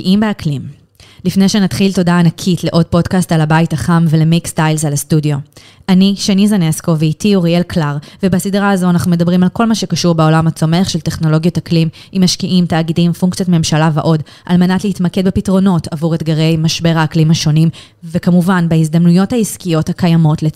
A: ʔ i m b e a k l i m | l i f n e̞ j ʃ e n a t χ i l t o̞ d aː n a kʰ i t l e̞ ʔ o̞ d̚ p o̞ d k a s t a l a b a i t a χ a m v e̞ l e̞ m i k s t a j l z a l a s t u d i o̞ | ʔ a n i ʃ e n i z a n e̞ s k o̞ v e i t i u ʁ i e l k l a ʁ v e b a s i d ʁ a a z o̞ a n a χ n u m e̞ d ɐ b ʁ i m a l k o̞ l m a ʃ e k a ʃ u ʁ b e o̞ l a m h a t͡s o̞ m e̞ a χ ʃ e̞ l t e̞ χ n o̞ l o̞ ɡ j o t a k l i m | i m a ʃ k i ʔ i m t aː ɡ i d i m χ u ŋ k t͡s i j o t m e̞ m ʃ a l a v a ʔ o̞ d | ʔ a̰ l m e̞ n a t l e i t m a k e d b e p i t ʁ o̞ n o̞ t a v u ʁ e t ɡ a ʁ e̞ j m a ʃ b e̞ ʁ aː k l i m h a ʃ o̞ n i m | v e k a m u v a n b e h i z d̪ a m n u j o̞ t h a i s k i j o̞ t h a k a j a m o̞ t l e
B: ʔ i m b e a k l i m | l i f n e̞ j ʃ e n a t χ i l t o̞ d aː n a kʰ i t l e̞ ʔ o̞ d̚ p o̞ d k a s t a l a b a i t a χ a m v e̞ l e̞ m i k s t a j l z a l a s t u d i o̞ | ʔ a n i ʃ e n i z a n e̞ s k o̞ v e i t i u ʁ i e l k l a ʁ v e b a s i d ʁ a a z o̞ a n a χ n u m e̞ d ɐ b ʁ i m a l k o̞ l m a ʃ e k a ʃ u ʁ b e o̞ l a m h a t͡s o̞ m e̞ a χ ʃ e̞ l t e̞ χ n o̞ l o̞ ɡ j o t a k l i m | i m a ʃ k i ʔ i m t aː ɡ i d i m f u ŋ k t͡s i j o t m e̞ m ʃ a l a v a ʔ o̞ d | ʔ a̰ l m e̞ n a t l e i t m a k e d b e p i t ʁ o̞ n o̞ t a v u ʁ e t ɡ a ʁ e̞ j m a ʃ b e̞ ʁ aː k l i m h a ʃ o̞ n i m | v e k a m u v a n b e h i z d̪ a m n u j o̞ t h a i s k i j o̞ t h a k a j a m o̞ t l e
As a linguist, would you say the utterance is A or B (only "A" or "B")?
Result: B